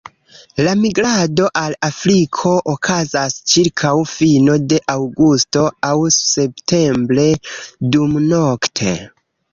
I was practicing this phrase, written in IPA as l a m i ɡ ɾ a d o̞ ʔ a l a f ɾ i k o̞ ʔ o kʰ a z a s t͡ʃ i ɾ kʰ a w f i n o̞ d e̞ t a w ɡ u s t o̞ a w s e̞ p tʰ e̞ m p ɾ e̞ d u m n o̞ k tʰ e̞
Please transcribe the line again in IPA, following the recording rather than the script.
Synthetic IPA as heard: l a m i ɡ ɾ a d o̞ ʔ a l a f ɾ i kʰ o̞ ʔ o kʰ a z a s t͡ʃ i ɾ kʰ a w f i n o̞ d e̞ ʔ a w ɡ u s t o̞ a w s e̞ p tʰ e̞ m b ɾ e̞ d u m n o̞ k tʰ e̞